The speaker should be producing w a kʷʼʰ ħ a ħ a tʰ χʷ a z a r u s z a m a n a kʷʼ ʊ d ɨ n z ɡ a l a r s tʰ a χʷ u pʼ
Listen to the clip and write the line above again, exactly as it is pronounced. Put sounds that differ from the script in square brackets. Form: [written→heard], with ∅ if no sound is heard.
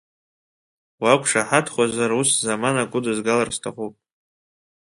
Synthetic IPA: w a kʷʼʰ [ħ→ʂ] a ħ a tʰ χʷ a z a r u s z a m a n a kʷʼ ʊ d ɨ [n→∅] z ɡ a l a r s tʰ a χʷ u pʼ